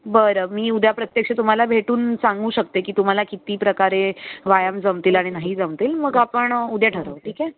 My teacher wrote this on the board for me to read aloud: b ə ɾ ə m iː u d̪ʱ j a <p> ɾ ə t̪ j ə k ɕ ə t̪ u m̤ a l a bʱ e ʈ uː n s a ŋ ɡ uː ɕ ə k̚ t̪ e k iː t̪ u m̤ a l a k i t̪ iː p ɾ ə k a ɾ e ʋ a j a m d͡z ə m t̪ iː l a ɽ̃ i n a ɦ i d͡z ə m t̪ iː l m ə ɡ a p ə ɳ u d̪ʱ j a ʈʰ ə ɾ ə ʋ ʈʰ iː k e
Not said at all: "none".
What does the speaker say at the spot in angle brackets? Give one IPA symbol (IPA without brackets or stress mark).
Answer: p